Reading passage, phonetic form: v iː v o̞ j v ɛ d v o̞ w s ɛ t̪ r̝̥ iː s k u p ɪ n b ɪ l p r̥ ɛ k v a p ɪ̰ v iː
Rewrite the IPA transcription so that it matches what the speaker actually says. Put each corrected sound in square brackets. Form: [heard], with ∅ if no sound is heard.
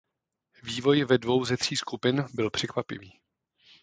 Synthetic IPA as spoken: v iː v o̞ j v ɛ d v o̞ w [z] ɛ t̪ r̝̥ iː s k u p ɪ n b ɪ l p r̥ ɛ k v a p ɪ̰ v iː